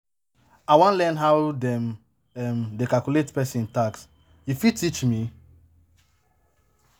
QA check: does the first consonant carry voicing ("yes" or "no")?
yes